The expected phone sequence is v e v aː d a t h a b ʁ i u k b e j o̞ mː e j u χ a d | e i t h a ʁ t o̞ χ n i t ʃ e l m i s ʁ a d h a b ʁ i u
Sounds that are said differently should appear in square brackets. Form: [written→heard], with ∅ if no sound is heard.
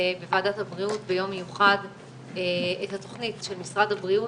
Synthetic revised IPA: [v→b] e v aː d a t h a b ʁ i u [k→t] b e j o̞ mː e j u χ a d | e [i→e] t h a [ʁ→∅] t o̞ χ n i t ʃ e l m i s ʁ a d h a b ʁ i u

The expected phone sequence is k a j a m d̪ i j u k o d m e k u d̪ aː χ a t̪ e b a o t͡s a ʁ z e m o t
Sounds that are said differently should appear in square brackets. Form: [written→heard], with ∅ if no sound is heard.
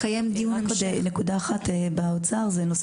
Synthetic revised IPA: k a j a m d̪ i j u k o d [m→n] e k u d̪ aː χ a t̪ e b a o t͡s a ʁ z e [m→n] o [t→s]

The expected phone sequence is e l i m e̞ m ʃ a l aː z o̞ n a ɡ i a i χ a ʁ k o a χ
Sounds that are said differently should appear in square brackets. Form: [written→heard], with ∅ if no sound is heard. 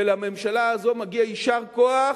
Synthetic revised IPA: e l [i→a] m e̞ m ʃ a l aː z o̞ [n→m] a ɡ i a i [χ→ʃ] a ʁ k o a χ

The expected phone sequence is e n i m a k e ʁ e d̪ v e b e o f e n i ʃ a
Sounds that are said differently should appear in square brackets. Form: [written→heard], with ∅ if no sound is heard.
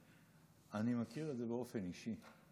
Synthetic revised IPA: [e→a] n i m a k [e→i] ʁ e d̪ [v→z] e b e o f e n i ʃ [a→i]

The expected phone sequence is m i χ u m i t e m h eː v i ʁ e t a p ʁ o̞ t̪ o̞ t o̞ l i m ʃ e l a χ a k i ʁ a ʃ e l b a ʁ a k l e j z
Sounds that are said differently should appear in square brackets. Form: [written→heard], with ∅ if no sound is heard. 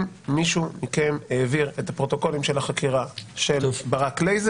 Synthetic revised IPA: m i [χ→ʃ] u m i [t→k] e m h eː v i ʁ e t a p ʁ o̞ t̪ o̞ [t→k] o̞ l i m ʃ e l a χ a k i ʁ a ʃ e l b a ʁ a k l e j z

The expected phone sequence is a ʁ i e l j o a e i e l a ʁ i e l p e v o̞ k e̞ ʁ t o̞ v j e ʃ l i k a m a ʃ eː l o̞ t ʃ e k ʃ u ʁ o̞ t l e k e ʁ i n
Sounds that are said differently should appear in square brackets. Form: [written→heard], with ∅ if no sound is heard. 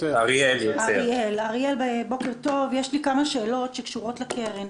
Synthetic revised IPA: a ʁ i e l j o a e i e l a ʁ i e l [p→b] e [v→b] o̞ k e̞ ʁ t o̞ v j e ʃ l i k a m a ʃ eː l o̞ t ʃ e k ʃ u ʁ o̞ t l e k e ʁ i n

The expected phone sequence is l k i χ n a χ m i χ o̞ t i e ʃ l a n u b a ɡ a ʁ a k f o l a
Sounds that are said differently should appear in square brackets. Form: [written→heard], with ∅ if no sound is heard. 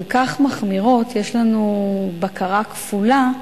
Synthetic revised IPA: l k [i→a] χ [n→m] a χ m i [χ→ʁ] o̞ t [i→j] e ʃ l a n u b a [ɡ→k] a ʁ a k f [o→u] l a

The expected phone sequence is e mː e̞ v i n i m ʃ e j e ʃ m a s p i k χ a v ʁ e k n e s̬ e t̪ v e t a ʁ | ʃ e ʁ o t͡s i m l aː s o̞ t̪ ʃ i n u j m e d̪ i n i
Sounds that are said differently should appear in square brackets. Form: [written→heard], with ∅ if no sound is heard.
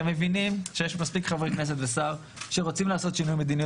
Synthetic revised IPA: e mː e̞ v i n i m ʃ e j e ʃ m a s p i k χ a v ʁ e k n e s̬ e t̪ v e [t→s] a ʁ | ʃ e ʁ o t͡s i m l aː s o̞ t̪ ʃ i n u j m e d̪ i n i

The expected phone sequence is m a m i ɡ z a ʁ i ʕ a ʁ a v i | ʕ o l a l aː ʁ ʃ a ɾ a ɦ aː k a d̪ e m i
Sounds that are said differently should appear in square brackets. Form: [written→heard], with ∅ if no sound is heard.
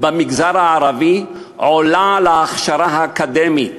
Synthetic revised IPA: [m→b] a m i ɡ z a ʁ [i→a] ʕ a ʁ a v i | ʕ o l a l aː [ʁ→χ] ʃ a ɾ a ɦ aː k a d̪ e m i

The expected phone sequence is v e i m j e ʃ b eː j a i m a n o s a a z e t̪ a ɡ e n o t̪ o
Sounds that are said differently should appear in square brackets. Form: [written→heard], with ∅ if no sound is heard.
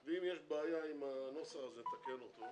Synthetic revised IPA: v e i m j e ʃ b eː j a i m a n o s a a z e t̪ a [ɡ→k] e n o t̪ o

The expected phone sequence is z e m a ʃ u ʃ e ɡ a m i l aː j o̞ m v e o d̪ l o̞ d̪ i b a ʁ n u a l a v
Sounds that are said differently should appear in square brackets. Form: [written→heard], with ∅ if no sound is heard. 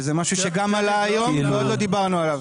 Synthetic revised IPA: z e m a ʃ u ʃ e ɡ a m [i→a] l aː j o̞ m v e o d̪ l o̞ d̪ i b a ʁ n u a l a v

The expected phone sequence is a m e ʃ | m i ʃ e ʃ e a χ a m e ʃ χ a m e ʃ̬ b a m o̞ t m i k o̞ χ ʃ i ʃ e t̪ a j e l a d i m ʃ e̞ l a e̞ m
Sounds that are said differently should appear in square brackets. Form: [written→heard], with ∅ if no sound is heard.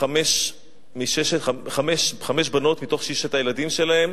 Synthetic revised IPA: a m e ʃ | m i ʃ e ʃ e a χ a m e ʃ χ a m e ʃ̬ b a [m→n] o̞ t m i [k→t] o̞ χ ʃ i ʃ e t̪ a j e l a d i m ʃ e̞ l a e̞ m

